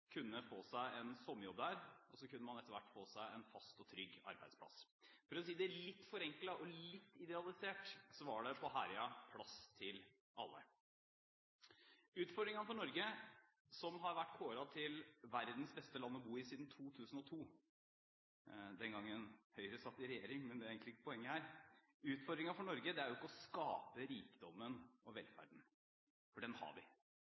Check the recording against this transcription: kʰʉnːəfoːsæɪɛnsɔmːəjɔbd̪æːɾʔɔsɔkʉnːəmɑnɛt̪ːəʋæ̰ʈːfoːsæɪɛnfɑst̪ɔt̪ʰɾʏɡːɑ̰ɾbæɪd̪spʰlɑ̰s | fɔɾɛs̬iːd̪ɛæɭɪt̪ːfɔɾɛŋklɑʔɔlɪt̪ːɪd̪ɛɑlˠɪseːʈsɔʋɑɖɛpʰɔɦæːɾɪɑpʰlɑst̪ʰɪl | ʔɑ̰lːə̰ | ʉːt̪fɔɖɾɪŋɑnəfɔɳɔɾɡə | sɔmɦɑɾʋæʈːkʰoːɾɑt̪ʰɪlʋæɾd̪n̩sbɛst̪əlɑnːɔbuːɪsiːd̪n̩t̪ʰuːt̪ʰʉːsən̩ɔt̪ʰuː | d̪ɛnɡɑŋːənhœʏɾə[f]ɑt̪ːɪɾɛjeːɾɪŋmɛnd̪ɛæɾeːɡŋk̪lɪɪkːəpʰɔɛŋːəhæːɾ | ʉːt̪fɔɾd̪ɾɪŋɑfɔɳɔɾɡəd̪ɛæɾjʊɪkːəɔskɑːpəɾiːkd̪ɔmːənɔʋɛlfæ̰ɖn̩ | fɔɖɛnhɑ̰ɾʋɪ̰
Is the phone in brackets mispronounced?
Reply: yes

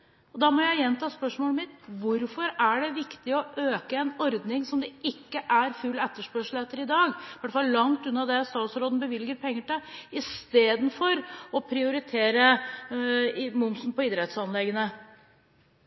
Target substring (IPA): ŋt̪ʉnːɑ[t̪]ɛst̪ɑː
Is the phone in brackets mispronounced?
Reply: yes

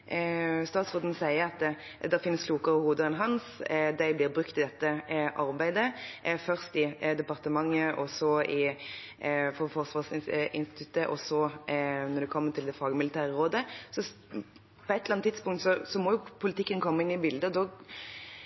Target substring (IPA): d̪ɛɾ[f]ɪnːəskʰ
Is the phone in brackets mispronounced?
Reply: no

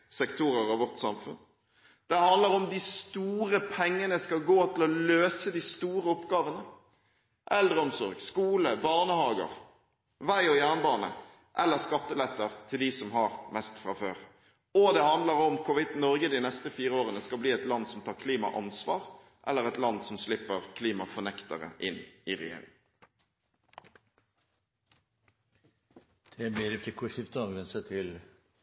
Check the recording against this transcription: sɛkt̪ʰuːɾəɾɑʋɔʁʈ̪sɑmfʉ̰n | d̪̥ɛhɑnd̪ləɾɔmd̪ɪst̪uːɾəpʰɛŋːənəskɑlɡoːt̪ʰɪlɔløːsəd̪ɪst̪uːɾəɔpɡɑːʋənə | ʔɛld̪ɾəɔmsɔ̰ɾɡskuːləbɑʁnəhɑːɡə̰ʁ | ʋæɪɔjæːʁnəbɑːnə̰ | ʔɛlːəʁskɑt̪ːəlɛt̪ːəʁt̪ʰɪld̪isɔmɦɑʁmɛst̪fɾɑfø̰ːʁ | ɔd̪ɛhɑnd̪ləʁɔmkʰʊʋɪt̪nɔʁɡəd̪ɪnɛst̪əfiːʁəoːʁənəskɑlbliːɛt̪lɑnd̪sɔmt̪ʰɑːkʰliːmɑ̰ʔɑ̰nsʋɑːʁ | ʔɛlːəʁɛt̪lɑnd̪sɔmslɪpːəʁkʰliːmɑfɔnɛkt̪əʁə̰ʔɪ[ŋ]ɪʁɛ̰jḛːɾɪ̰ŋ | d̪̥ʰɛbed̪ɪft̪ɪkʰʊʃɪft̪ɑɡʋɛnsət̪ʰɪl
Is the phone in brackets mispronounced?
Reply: yes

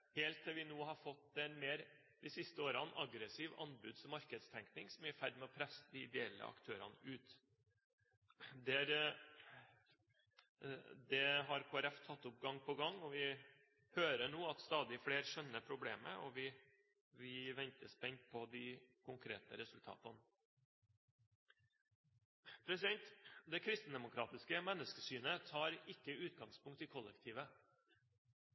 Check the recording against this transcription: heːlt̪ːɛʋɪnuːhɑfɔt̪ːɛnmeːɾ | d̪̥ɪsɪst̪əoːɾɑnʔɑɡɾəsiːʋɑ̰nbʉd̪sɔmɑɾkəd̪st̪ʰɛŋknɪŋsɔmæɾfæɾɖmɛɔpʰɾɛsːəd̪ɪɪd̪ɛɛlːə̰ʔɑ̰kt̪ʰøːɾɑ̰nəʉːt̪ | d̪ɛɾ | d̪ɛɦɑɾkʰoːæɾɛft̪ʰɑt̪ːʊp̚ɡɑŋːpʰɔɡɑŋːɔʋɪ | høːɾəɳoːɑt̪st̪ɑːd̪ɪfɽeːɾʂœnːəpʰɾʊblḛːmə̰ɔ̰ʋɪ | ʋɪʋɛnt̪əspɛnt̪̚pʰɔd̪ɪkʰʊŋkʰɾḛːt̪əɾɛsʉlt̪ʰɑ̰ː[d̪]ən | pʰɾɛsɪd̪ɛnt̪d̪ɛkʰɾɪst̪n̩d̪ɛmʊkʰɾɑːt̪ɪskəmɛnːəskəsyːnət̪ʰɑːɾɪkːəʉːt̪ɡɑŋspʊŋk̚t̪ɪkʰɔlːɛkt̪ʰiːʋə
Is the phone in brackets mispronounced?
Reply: yes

